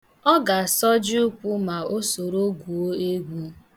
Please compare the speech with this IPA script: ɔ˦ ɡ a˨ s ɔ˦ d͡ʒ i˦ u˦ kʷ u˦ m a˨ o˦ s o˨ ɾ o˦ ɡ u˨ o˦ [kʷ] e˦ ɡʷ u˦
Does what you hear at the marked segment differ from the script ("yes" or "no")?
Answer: yes